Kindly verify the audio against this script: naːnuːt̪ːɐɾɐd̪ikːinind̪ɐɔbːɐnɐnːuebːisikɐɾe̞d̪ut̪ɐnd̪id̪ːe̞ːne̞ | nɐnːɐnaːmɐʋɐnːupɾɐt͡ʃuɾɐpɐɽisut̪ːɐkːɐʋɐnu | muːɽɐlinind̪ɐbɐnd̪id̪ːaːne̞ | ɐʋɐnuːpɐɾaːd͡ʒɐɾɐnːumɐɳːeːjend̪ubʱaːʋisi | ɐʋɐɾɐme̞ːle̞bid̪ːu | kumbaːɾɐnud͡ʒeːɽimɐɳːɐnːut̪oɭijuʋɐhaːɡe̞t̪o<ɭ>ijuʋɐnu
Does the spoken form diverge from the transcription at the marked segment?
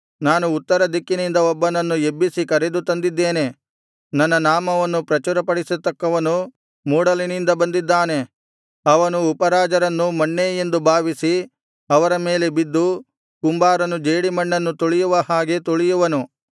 no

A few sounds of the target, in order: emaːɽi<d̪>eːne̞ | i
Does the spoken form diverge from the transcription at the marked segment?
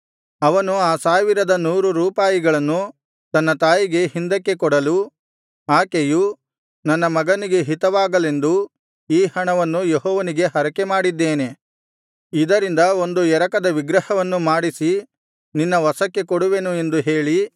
yes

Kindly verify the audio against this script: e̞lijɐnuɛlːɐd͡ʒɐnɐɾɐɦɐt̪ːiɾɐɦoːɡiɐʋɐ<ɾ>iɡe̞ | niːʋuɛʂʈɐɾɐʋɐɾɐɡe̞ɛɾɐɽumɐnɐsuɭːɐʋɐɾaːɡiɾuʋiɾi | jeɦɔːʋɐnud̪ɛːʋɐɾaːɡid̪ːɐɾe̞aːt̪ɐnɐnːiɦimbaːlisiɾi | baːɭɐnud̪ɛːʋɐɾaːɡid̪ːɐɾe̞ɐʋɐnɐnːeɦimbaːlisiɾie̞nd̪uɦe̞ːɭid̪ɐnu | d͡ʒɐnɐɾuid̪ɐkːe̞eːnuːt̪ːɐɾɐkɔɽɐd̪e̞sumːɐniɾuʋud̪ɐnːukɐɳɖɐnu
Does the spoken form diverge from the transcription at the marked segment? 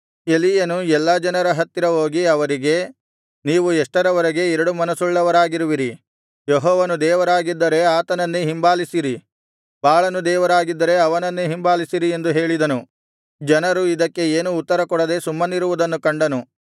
no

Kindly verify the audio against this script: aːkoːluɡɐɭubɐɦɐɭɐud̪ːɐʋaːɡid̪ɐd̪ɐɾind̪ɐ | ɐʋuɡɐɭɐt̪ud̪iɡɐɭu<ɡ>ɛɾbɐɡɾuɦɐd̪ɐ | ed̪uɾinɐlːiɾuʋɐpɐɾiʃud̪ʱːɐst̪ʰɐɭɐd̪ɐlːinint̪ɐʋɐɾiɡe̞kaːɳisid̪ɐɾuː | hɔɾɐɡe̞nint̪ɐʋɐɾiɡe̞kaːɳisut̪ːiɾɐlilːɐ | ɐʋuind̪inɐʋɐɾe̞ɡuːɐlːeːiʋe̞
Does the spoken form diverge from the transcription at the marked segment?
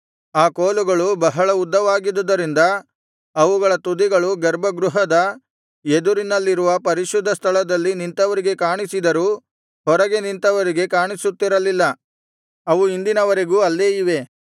no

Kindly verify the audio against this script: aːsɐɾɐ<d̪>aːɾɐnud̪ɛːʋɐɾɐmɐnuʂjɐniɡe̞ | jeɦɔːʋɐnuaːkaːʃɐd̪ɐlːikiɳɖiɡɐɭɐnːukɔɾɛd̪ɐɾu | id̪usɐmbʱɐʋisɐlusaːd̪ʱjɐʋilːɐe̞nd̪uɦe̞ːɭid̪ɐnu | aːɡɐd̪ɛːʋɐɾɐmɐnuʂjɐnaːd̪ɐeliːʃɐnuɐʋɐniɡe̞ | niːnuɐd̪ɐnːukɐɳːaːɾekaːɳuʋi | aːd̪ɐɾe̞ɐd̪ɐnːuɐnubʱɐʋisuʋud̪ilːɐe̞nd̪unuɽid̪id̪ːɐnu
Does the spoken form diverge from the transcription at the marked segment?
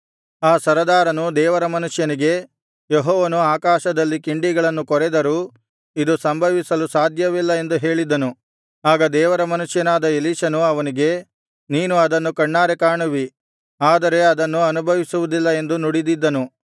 no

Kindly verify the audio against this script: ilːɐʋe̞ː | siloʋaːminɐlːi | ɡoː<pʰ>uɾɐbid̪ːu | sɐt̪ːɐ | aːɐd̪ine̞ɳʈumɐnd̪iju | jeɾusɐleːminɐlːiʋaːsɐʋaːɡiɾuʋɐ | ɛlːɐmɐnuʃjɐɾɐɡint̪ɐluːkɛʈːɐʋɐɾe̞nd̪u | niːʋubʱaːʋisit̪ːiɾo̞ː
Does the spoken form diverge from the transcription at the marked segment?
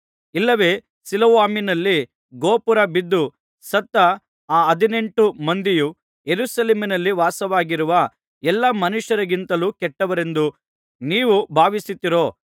yes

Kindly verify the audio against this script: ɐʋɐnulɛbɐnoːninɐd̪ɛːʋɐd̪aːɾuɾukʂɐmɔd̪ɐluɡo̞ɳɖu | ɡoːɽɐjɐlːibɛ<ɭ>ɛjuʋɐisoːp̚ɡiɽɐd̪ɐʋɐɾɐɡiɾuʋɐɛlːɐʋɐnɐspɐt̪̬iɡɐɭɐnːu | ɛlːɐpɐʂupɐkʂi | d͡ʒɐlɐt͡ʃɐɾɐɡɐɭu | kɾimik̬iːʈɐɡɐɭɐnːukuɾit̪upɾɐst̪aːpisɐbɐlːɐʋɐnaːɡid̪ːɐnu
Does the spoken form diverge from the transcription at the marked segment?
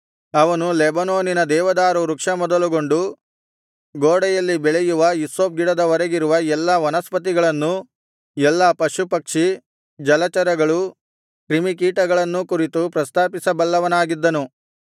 no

